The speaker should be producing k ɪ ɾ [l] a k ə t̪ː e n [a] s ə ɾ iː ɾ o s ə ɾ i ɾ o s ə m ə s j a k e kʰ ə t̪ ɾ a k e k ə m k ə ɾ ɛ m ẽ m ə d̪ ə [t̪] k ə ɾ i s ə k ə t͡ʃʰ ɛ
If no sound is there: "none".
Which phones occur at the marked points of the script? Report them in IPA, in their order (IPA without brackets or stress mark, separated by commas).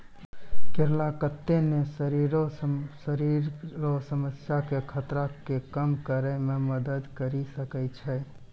l, e, d̪